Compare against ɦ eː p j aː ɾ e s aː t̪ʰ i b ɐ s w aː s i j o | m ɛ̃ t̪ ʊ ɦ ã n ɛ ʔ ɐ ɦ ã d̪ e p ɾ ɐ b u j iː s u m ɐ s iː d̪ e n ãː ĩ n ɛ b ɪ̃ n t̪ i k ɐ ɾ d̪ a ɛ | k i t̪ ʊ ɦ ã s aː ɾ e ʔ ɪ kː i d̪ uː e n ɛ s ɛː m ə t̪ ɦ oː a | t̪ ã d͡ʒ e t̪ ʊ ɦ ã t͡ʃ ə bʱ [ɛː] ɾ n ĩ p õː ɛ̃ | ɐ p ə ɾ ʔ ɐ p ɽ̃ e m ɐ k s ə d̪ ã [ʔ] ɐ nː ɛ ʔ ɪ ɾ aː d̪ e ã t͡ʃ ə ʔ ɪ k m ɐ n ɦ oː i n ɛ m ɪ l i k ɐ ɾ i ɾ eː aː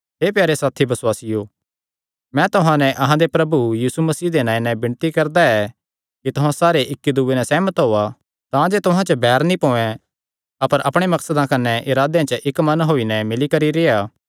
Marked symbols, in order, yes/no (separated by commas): yes, no